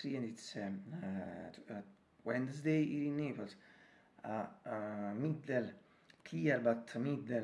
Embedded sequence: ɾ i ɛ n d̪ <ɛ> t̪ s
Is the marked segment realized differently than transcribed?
yes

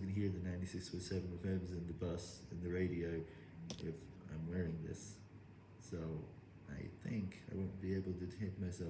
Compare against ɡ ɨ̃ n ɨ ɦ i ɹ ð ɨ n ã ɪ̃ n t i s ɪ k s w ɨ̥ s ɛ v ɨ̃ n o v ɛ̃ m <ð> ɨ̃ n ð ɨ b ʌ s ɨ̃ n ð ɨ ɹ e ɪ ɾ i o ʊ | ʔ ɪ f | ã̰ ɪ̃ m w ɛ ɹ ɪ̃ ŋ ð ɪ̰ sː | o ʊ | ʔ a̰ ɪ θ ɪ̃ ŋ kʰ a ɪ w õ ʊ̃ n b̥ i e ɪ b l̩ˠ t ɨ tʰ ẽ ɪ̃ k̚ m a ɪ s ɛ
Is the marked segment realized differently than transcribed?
yes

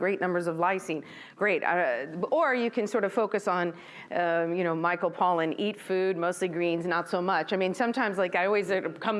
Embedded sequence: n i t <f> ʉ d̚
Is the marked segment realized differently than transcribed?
no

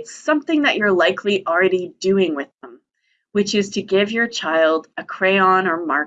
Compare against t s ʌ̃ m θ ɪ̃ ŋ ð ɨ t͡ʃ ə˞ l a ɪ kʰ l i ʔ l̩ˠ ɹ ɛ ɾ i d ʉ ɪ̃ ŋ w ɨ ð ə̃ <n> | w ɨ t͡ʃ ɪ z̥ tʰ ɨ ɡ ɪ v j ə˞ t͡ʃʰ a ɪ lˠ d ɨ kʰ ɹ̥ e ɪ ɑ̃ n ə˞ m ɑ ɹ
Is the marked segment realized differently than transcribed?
yes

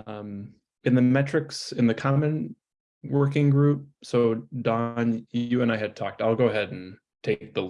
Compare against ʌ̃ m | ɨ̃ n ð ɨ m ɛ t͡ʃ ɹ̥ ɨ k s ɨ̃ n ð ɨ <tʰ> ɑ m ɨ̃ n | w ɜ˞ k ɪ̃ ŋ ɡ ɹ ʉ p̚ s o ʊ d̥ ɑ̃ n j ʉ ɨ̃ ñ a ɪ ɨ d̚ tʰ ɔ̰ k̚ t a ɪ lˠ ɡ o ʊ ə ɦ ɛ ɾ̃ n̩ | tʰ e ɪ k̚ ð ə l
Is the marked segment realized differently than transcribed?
yes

